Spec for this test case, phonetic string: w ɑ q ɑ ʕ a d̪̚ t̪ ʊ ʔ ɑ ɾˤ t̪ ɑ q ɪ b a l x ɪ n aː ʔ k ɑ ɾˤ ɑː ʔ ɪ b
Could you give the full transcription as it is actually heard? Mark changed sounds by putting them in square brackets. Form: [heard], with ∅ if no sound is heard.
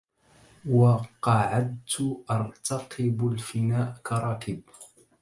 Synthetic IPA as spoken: w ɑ q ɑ ʕ a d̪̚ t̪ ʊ ʔ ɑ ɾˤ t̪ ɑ q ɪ b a l [f] ɪ n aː ʔ k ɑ ɾˤ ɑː [k] ɪ b